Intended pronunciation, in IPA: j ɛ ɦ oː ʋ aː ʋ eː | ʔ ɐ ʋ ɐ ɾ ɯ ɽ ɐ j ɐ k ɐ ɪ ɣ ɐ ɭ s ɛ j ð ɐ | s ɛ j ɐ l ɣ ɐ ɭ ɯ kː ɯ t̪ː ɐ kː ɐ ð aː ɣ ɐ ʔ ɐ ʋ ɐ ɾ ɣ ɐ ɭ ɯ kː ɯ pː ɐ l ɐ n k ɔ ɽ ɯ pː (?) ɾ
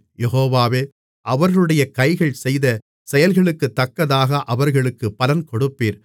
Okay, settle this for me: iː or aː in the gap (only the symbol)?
iː